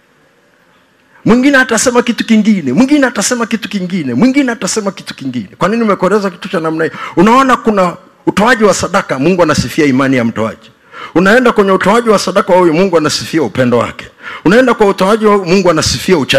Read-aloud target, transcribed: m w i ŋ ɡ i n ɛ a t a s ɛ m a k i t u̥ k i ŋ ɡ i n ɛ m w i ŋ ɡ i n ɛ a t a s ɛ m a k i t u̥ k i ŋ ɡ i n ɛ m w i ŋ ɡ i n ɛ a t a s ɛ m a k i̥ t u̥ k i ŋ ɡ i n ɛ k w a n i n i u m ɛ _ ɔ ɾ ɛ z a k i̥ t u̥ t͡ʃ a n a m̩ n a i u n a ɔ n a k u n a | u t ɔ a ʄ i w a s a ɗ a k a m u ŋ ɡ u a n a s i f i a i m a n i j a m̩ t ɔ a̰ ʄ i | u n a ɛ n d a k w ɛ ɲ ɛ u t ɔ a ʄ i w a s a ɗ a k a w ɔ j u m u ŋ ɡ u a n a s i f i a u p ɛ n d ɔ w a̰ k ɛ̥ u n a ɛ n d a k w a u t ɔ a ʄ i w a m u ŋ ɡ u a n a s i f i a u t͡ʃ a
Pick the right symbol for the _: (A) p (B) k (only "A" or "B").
B